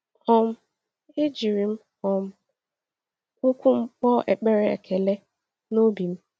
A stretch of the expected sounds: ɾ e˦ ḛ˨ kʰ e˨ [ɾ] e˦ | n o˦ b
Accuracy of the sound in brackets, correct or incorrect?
incorrect